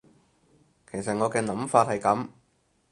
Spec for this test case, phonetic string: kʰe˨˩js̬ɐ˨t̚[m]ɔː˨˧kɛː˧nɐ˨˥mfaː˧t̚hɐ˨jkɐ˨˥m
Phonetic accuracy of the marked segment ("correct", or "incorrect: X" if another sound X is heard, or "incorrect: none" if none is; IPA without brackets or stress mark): incorrect: ŋ